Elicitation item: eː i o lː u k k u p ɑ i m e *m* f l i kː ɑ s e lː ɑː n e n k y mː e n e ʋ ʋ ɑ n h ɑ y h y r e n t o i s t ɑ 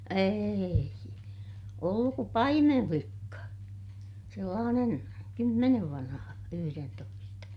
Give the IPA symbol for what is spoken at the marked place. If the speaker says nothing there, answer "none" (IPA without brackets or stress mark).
m